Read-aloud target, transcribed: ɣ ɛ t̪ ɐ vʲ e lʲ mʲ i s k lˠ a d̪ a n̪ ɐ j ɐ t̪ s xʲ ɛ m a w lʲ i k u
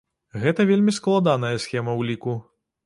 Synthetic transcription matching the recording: ɣ ɛ t̪ ɐ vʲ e lʲ mʲ i s k lˠ a d̪ a n̪ ɐ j ɐ s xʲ ɛ m ɐ w lʲ i k u

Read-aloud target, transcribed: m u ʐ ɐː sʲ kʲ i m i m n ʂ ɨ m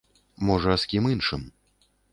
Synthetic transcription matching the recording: m ɔ ʐ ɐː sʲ kʲ i m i n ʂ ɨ m

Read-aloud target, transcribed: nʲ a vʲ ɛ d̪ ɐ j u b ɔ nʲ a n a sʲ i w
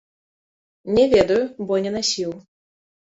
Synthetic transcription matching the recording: nʲ ɛ vʲ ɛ d̪ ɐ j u b ɔ nʲ ɛ n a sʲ i w

